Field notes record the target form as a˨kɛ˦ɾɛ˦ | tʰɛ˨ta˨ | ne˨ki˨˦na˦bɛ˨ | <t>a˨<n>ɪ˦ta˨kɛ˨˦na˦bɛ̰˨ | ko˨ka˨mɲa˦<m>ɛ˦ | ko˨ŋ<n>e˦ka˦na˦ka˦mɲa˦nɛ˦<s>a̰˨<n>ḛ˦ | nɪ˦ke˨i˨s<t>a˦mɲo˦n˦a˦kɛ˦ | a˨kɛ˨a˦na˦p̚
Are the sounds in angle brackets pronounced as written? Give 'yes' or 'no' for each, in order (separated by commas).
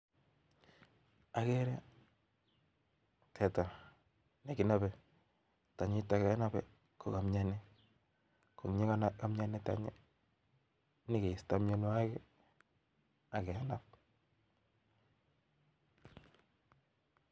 yes, no, no, no, no, no, yes